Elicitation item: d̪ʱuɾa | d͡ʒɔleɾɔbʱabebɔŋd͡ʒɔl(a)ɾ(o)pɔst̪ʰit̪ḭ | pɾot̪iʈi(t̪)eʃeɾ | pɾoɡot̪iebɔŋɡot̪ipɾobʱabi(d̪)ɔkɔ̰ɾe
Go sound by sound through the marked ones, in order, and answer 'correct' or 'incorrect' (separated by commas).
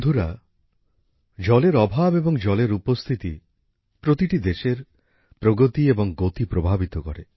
incorrect, incorrect, incorrect, incorrect